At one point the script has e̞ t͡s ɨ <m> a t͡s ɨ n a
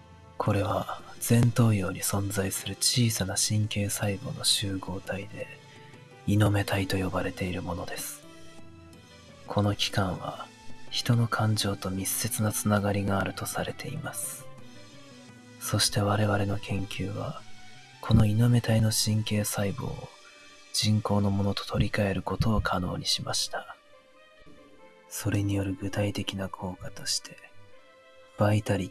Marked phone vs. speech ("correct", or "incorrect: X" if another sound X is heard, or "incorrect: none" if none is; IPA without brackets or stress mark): incorrect: n